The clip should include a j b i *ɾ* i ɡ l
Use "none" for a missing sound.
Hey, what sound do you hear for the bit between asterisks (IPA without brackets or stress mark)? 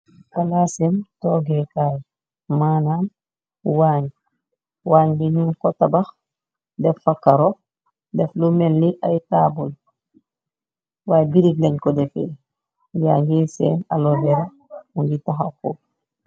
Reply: ɾ